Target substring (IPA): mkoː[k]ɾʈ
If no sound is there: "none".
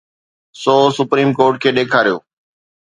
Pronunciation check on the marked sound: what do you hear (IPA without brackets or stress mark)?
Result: none